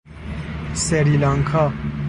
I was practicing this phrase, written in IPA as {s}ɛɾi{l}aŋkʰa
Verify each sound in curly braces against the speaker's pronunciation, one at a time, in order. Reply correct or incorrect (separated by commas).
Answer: correct, correct